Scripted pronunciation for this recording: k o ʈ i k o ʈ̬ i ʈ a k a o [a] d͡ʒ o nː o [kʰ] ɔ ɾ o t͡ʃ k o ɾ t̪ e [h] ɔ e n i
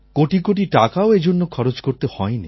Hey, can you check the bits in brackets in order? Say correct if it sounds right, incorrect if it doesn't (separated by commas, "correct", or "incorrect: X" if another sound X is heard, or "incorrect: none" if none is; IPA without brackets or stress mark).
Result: incorrect: e, correct, correct